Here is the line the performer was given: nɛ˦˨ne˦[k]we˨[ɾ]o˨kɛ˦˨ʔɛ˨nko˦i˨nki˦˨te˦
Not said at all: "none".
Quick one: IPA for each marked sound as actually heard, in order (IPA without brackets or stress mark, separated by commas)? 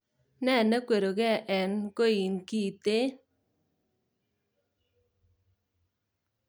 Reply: k, ɾ